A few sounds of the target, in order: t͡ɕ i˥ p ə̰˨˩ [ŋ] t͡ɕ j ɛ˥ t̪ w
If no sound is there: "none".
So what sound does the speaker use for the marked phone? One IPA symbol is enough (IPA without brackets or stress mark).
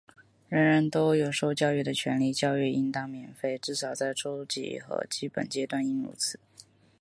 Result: n